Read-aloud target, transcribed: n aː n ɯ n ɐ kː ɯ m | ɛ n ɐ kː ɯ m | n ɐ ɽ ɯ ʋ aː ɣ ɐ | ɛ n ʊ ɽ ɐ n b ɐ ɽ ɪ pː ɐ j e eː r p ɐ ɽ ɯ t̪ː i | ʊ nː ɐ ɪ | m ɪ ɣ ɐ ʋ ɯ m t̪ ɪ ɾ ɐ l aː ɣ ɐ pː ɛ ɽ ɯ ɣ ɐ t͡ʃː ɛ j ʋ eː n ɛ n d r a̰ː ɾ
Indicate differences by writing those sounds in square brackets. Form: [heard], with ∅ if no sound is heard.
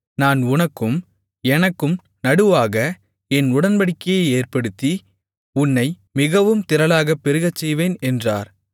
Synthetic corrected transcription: n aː n [ʊ] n ɐ kː ɯ m | ɛ n ɐ kː ɯ m | n ɐ ɽ ɯ ʋ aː ɣ ɐ | ɛ n ʊ ɽ ɐ n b ɐ ɽ ɪ [kː] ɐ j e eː r p ɐ ɽ ɯ t̪ː i | ʊ nː ɐ ɪ | m ɪ ɣ ɐ ʋ ɯ m t̪ ɪ ɾ ɐ l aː ɣ ɐ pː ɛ [ɾ] ɯ ɣ ɐ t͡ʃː ɛ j ʋ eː n ɛ n d r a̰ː ɾ

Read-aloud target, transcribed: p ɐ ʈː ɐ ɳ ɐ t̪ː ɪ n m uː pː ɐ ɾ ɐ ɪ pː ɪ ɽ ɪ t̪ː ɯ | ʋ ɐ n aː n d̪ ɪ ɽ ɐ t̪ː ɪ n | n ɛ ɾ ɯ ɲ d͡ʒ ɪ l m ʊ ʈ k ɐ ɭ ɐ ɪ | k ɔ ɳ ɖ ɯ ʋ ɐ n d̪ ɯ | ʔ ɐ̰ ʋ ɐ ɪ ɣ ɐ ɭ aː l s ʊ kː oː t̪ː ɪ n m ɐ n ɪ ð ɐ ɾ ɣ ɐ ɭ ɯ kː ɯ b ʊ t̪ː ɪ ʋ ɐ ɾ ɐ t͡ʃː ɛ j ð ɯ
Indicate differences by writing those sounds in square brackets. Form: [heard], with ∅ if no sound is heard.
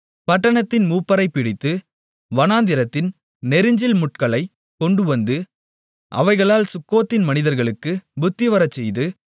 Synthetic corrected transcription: p ɐ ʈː ɐ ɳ ɐ t̪ː ɪ n m uː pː ɐ ɾ ɐ ɪ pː ɪ ɽ ɪ t̪ː ɯ | ʋ ɐ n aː n d̪ ɪ [ɾ] ɐ t̪ː ɪ n | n ɛ ɾ ɯ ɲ d͡ʒ ɪ l m ʊ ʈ k ɐ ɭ ɐ ɪ | k ɔ ɳ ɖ ɯ ʋ ɐ n d̪ ɯ | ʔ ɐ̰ ʋ ɐ ɪ ɣ ɐ ɭ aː l s ʊ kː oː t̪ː ɪ n m ɐ n ɪ ð ɐ ɾ ɣ ɐ ɭ ɯ kː ɯ b ʊ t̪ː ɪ ʋ ɐ ɾ ɐ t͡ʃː ɛ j ð ɯ

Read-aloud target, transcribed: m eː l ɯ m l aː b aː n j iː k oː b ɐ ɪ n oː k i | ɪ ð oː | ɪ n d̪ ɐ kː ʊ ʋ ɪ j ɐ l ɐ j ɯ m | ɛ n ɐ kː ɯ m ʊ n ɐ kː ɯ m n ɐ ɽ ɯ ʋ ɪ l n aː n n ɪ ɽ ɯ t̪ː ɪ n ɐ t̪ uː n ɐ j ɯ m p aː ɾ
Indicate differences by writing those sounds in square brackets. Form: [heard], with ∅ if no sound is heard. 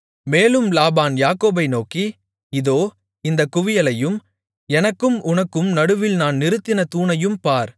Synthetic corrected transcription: m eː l ɯ m l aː b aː n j [aː] k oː b ɐ ɪ n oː k i | ɪ ð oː | ɪ n d̪ ɐ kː ʊ ʋ ɪ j ɐ l ɐ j ɯ m | ɛ n ɐ kː ɯ m ʊ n ɐ kː ɯ m n ɐ ɽ ɯ ʋ ɪ l n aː n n ɪ [ɾ] ɯ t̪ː ɪ n ɐ t̪ uː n ɐ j ɯ m p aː ɾ

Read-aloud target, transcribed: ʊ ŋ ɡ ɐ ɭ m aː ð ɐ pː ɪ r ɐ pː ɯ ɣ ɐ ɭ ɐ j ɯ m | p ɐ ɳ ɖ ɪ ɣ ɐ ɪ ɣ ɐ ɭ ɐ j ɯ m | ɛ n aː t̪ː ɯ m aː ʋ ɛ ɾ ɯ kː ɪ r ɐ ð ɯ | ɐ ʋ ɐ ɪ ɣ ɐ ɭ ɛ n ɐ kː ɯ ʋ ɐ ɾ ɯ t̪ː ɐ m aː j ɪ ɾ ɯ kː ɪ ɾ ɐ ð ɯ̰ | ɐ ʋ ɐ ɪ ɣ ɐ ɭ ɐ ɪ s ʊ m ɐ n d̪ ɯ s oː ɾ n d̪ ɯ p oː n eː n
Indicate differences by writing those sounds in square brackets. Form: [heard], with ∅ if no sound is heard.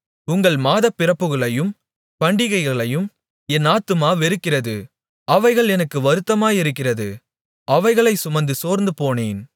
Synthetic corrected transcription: ʊ ŋ ɡ ɐ ɭ m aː ð ɐ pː ɪ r ɐ pː ɯ ɣ ɐ ɭ ɐ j ɯ m | p ɐ ɳ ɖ ɪ ɣ ɐ ɪ ɣ ɐ ɭ ɐ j ɯ m | ɛ n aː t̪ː ɯ m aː ʋ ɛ ɾ ɯ kː ɪ r ɐ ð ɯ | ɐ ʋ ɐ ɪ ɣ ɐ ɭ ɛ n ɐ kː ɯ ʋ ɐ ɾ ɯ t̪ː ɐ m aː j ɪ ɾ ɯ kː ɪ [r] ɐ ð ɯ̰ | ɐ ʋ ɐ ɪ ɣ ɐ ɭ ɐ ɪ s ʊ m ɐ n d̪ ɯ s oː ɾ n d̪ ɯ p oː n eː n

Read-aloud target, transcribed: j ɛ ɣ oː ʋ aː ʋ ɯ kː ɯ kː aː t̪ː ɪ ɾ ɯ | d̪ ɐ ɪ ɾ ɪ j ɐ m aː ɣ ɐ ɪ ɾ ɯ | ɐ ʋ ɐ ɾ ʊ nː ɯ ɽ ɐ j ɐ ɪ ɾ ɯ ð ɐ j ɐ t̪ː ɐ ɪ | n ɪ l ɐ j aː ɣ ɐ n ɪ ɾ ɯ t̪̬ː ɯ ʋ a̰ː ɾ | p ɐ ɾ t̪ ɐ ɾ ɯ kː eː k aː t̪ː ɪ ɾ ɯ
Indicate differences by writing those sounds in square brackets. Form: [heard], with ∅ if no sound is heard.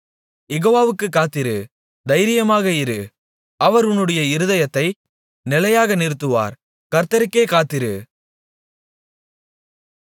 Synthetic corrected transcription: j ɛ ɣ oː ʋ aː ʋ ɯ kː ɯ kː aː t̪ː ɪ ɾ ɯ | d̪ ɐ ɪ ɾ ɪ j ɐ m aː ɣ ɐ ɪ ɾ ɯ | ɐ ʋ ɐ ɾ ʊ nː ɯ ɽ ɐ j ɐ ɪ ɾ ɯ ð ɐ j ɐ t̪ː ɐ ɪ | n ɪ l ɐ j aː ɣ ɐ n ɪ ɾ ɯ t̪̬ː ɯ ʋ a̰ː ɾ | [k] ɐ ɾ t̪ ɐ ɾ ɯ kː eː k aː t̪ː ɪ ɾ ɯ

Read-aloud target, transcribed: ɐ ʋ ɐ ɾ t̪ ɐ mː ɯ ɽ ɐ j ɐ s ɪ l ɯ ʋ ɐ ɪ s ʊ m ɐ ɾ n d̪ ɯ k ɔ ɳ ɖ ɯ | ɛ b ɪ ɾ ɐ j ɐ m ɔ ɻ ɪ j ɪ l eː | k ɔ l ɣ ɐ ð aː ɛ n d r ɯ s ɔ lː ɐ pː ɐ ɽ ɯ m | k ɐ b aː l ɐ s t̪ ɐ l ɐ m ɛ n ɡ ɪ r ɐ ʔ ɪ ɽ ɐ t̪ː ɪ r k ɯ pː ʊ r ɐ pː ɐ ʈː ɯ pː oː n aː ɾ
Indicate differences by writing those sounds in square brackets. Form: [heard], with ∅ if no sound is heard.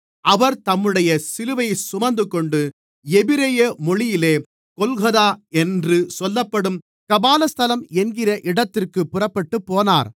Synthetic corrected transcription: ɐ ʋ ɐ ɾ t̪ ɐ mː ɯ ɽ ɐ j ɐ s ɪ l ɯ ʋ ɐ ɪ s ʊ m ɐ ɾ n d̪ ɯ k ɔ ɳ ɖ ɯ | ɛ b ɪ ɾ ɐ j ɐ m ɔ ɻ ɪ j ɪ l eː | k ɔ l ɣ ɐ ð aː ɛ n d r ɯ s ɔ lː ɐ pː ɐ ɽ ɯ m | k ɐ b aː l ɐ s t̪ ɐ l ɐ m ɛ n ɡ ɪ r ɐ ʔ ɪ ɽ ɐ t̪ː ɪ r k ɯ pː ʊ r ɐ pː ɐ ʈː ɯ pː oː n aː ɾ

